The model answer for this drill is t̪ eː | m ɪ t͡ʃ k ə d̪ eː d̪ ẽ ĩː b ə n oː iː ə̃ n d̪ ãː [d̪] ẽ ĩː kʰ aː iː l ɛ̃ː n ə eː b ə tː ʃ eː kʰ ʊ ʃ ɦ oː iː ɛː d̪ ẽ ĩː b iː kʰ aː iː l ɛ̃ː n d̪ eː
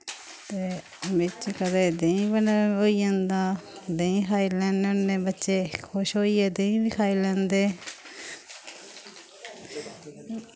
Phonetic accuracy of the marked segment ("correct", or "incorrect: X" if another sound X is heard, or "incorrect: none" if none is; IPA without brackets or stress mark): correct